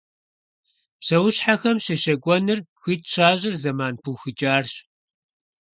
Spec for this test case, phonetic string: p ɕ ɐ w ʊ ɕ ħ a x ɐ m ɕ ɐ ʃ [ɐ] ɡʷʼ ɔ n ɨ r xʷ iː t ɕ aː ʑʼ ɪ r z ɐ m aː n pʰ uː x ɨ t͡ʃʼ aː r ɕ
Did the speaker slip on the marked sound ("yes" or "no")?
no